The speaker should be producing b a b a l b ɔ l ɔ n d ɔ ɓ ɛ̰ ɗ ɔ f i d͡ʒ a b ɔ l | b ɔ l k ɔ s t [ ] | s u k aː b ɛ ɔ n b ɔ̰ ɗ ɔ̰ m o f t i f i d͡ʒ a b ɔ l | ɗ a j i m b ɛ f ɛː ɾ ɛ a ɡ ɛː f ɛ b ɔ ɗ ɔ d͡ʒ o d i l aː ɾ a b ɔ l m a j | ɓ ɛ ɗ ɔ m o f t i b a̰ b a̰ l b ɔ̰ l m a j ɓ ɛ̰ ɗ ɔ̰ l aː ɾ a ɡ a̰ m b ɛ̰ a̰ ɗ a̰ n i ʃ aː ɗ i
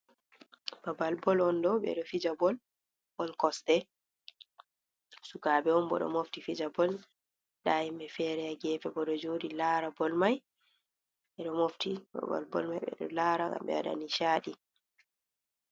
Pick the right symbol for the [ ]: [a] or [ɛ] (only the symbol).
ɛ